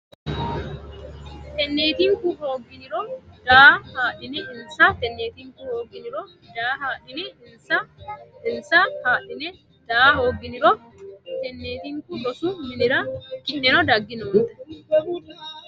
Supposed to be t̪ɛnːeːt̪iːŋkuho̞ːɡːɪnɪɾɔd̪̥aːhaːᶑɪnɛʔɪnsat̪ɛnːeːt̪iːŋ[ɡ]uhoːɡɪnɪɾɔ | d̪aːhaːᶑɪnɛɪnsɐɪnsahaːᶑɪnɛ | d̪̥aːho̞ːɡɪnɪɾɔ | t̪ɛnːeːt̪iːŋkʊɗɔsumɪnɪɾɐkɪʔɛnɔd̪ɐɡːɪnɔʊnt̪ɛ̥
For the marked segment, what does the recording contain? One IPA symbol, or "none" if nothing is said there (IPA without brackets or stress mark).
k